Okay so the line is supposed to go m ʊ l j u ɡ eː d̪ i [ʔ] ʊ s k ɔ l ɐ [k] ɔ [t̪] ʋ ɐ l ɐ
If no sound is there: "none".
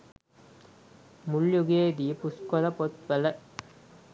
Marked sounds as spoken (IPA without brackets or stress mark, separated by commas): p, p, t̪